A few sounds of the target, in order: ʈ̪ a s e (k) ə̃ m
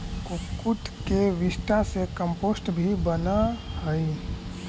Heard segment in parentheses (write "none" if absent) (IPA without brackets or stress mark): k